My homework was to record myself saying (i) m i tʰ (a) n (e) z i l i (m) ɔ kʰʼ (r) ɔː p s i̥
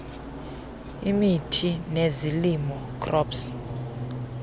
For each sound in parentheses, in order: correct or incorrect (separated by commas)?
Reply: correct, incorrect, correct, correct, correct